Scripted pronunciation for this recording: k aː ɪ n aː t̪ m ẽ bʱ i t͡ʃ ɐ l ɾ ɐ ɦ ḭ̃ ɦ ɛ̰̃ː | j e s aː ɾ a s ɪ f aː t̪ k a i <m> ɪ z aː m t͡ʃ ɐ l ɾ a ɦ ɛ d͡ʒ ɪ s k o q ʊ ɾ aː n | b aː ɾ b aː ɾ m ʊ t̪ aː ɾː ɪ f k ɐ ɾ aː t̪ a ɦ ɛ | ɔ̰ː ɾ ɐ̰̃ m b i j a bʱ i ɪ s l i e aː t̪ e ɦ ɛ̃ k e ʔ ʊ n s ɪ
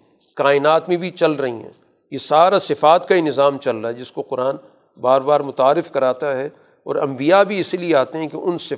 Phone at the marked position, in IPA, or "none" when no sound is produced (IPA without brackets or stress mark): n